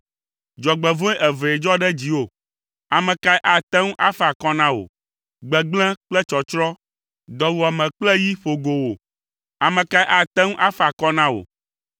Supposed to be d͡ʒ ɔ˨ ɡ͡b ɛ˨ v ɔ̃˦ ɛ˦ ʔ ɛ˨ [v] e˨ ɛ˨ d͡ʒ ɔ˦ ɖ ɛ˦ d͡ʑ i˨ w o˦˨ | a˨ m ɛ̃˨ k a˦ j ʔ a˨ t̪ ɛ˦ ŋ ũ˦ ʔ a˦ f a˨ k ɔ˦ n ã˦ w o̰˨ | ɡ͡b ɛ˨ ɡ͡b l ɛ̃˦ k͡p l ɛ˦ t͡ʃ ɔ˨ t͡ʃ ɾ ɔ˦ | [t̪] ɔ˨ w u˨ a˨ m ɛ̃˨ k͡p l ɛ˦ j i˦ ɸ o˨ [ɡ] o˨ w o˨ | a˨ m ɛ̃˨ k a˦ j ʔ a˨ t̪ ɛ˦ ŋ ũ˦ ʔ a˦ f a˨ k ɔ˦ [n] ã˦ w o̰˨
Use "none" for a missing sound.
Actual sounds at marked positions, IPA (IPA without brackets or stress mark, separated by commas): v, d̪, ɡ, n